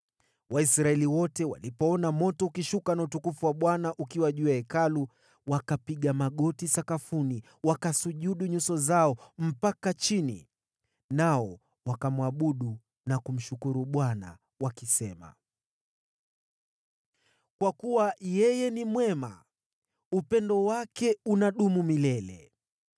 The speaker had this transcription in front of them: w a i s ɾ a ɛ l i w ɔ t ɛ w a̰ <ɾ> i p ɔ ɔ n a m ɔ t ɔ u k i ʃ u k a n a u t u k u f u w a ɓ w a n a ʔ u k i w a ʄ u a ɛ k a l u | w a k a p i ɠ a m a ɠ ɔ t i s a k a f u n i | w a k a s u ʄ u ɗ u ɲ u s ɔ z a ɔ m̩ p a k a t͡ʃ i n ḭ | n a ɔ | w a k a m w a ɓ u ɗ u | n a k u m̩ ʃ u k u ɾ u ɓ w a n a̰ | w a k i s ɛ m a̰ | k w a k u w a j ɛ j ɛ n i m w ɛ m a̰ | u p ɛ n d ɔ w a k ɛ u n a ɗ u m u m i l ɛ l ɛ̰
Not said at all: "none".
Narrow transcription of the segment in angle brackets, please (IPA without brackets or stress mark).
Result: l